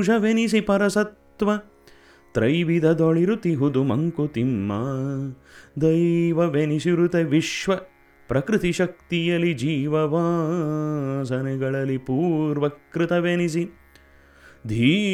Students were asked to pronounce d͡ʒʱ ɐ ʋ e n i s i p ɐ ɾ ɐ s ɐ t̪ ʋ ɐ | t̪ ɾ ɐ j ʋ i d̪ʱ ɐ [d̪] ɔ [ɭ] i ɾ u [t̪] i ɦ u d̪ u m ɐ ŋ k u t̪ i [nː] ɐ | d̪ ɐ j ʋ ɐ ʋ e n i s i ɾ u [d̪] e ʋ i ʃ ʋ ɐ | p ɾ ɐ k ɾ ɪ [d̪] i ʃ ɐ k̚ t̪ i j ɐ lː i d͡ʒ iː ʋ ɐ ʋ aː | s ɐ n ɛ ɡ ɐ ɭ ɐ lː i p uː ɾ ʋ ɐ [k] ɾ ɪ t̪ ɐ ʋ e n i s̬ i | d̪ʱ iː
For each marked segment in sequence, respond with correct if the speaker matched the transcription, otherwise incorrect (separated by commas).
correct, correct, correct, incorrect, incorrect, incorrect, correct